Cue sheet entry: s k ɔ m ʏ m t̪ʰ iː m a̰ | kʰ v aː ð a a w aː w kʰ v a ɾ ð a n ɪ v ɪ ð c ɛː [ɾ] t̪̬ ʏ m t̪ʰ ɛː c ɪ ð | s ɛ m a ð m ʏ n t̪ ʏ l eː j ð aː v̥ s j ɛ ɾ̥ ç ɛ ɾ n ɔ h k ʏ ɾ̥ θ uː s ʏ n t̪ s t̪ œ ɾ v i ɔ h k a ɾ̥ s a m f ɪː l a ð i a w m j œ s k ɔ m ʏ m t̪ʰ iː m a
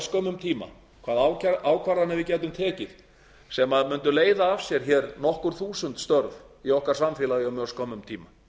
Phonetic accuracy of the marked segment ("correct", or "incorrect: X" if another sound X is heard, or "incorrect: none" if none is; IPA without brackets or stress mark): incorrect: none